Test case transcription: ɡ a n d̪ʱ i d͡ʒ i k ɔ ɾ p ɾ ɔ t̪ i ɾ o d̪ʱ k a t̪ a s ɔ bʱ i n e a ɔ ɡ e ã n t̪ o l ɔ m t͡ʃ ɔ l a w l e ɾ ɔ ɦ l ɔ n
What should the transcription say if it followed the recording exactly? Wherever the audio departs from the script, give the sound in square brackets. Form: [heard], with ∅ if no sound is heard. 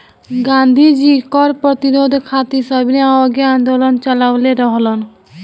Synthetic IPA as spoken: ɡ a n d̪ʱ i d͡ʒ i k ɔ ɾ p ɾ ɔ t̪ i ɾ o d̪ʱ [kʰ] a t̪ [i] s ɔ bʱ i n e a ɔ ɡ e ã n [d̪] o l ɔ [n] t͡ʃ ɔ l a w l e ɾ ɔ ɦ l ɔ n